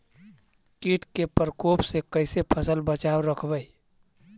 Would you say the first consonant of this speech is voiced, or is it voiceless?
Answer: voiceless